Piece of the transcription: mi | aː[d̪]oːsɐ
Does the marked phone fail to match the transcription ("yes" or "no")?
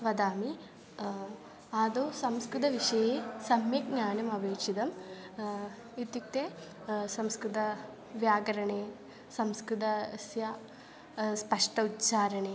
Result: no